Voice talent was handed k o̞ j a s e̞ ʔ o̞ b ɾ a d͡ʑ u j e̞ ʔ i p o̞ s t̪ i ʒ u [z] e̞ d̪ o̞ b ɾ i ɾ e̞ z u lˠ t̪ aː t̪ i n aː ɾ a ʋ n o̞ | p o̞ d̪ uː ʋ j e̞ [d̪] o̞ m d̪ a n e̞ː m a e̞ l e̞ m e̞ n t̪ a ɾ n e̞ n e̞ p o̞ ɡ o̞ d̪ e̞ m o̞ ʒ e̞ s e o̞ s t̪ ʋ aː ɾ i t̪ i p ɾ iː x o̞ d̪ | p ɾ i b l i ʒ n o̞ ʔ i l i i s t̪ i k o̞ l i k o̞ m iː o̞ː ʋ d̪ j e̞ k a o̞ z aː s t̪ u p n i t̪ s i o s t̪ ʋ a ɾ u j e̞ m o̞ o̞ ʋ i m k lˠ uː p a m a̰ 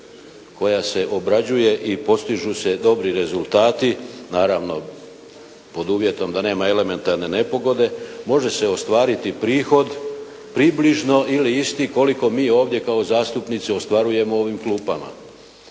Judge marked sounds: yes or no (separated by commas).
no, no